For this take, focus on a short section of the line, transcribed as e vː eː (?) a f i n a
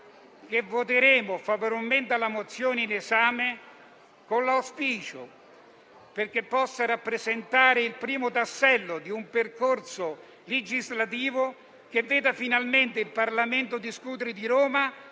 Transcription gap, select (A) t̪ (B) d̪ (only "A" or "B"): B